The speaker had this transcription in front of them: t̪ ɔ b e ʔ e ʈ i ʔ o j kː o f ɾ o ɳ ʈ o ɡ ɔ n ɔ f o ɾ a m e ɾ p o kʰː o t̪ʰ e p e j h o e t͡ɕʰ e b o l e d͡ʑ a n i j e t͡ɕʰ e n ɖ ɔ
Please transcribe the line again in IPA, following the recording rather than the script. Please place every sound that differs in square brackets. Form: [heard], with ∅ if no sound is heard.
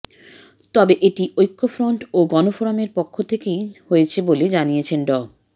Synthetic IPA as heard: t̪ ɔ b e ʔ e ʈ i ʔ o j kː o f ɾ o ɳ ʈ o ɡ ɔ n [o] f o ɾ a m e ɾ p o kʰː o t̪ʰ e [k] e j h o e t͡ɕʰ e b o l e d͡ʑ a n i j e t͡ɕʰ e n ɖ ɔ